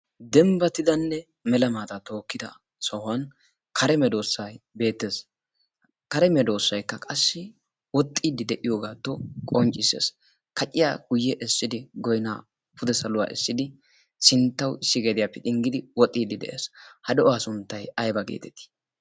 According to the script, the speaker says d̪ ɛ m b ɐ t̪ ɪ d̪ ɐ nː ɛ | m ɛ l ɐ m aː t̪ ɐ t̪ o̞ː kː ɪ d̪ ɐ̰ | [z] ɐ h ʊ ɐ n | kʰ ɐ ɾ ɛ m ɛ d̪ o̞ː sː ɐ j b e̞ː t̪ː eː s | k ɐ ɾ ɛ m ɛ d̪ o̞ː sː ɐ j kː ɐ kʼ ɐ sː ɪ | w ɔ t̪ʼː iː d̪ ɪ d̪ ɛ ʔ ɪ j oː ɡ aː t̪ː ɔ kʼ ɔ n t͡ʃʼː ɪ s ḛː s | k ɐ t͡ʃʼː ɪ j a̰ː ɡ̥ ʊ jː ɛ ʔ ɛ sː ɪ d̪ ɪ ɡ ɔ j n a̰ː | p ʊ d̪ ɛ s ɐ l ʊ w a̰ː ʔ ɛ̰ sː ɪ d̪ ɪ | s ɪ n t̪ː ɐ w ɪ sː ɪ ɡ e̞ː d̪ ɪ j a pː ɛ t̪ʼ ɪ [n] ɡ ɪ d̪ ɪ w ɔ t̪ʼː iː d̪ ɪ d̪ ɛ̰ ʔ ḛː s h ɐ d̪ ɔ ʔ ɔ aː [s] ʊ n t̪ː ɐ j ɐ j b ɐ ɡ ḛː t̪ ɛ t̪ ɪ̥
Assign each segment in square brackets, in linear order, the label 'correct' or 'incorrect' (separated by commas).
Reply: incorrect, incorrect, correct